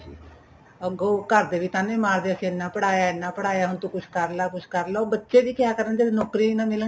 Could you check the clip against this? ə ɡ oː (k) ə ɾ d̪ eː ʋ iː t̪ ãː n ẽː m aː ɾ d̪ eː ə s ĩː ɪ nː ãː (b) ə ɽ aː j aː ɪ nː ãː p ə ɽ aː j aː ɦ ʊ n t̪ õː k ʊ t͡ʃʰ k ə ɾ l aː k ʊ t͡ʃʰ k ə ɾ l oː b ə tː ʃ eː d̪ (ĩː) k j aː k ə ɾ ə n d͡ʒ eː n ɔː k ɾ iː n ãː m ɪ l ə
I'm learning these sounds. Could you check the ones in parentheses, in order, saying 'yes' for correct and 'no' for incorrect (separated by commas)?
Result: yes, no, no